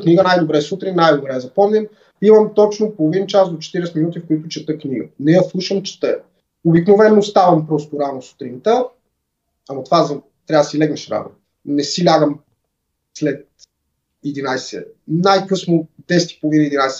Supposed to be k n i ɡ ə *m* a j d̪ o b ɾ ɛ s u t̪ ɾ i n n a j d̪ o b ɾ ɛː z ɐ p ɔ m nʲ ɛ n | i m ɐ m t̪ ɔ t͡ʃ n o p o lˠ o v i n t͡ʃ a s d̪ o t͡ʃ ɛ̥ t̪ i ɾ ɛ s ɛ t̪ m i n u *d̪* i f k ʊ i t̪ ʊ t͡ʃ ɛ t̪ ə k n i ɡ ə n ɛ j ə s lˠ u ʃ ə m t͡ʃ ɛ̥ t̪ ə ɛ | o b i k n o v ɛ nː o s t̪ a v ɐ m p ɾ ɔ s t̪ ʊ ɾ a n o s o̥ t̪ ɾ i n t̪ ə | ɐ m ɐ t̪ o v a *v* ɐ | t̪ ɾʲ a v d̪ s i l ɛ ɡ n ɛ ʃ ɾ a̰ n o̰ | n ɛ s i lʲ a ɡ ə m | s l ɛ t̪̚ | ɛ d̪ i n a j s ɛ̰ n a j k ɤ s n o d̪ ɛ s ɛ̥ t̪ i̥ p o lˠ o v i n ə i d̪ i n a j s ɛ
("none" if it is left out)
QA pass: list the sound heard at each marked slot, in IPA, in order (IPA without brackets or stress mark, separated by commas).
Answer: n, t̪, z